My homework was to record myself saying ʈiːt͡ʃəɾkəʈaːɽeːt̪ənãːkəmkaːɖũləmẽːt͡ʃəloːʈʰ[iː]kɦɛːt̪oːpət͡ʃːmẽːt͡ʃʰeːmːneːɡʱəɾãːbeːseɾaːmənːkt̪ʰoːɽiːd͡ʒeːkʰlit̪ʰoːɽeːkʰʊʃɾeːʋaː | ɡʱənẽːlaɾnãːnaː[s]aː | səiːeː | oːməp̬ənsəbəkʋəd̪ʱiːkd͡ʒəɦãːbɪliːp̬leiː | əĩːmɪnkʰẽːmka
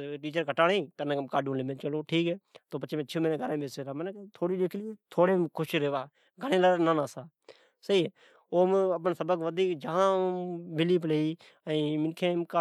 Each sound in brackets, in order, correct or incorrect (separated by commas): correct, correct